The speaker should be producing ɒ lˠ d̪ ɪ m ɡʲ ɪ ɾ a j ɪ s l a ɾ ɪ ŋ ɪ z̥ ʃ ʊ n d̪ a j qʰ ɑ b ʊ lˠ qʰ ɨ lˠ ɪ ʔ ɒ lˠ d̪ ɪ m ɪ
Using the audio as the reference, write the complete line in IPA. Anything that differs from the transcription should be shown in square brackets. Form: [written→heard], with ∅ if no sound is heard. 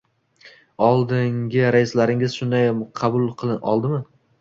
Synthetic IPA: ɒ lˠ d̪ ɪ [m→ŋ] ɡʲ ɪ ɾ a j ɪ s l a ɾ ɪ ŋ ɪ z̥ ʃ ʊ n d̪ a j qʰ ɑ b ʊ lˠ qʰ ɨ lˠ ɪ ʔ ɒ lˠ d̪ ɪ m ɪ